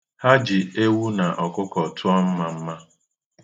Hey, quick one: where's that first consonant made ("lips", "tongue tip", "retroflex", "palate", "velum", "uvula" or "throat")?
throat